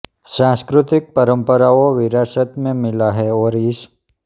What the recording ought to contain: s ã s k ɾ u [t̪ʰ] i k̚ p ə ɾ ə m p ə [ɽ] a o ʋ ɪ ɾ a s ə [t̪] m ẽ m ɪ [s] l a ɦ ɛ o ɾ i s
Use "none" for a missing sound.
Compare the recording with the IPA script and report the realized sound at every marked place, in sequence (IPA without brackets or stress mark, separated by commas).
t̪, ɾ, t̪, none